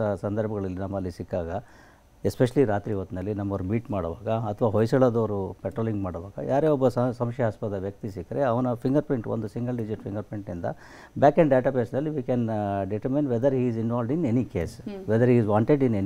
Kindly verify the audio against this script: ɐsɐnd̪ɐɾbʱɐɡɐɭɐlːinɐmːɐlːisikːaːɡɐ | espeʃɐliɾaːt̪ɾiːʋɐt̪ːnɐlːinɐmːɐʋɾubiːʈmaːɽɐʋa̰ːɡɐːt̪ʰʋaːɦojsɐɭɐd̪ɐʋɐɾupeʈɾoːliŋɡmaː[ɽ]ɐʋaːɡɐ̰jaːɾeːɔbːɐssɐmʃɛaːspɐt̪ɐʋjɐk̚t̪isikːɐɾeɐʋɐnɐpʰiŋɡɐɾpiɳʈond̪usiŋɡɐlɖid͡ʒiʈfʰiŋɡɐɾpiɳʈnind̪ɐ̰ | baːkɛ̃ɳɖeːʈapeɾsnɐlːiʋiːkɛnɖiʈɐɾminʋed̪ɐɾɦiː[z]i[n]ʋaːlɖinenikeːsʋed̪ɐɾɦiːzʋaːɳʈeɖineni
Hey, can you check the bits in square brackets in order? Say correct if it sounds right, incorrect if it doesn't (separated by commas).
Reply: correct, correct, correct